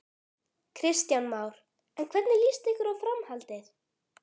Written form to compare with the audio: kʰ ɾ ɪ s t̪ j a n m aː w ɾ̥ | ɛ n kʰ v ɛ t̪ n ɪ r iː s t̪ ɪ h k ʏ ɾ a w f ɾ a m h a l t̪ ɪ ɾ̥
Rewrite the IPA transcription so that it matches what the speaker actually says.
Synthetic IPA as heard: kʰ ɾ ɪ s t̪ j a n m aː w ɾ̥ | ɛ n kʰ v ɛ t̪ n ɪ l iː s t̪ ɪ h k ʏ ɾ a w f ɾ a m h a l t̪ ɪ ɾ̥

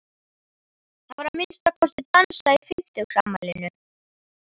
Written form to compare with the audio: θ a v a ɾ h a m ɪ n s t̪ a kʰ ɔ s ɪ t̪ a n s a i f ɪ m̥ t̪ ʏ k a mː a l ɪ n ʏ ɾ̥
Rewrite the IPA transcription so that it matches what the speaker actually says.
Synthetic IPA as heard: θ a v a ɾ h a m ɪ n s t̪ a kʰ ɔ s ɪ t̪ a n s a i f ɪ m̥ t̪ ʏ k a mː a l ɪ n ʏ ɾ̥

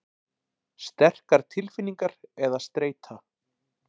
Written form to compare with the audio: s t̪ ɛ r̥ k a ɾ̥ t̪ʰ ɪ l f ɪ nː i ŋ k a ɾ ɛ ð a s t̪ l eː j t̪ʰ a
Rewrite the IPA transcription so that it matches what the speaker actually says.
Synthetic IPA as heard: s t̪ ɛ r̥ k a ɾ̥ t̪ʰ ɪ l f ɪ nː i ŋ k a ɾ ɛ ð a s t̪ ɾ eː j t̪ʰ a

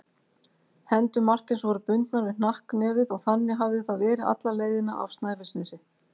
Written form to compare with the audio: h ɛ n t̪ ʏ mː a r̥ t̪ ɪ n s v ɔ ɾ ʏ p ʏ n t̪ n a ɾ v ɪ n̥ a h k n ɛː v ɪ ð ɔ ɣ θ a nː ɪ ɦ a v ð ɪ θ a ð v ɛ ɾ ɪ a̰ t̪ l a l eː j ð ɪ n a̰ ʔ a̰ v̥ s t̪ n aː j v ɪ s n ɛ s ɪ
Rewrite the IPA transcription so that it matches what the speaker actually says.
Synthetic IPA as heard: h ɛ n t̪ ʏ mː a r̥ t̪ ɪ n s v ɔ ɾ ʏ p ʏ n t̪ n a ɾ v ɪ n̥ a h k n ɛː v ɪ ð ɔ ɣ θ a nː ɪ ɦ a v ð ɪ θ a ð v ɛː ɾ ɪ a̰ t̪ l a l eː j ð ɪ n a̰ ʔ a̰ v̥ s t̪ n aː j v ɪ s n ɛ s ɪ

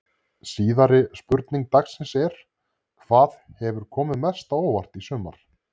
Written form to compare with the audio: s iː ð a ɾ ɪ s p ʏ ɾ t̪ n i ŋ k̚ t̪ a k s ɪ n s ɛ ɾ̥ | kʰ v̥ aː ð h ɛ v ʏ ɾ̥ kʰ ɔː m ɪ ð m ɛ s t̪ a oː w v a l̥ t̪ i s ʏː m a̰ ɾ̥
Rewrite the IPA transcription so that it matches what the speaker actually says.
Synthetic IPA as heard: s iː ð a ɾ ɪ s p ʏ ɾ t̪ n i ŋ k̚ t̪ a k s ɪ n s ɛ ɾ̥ | kʰ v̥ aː ð h ɛ v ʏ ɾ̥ kʰ ɔː m ɪ ð m ɛ s t̪ a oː w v a r̥ t̪ i s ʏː m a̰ ɾ̥

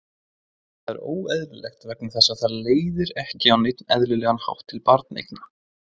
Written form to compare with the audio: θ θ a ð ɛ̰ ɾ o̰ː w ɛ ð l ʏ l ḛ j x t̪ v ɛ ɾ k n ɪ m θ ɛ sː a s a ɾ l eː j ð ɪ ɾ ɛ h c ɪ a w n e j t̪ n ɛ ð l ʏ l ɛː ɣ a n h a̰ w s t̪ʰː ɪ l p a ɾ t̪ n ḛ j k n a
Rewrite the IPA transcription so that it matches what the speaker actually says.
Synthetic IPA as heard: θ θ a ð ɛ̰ ɾ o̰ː w ɛ ð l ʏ l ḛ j x t̪ v ɛ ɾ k n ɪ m θ ɛ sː a θ a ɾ l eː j ð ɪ ɾ ɛ h c ɪ a w n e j t̪ n ɛ ð l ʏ l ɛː ɣ a n h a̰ w h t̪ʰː ɪ l p a ɾ t̪ n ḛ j k n a

